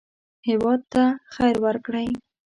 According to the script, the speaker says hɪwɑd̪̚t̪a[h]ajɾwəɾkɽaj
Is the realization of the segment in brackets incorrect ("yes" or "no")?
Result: yes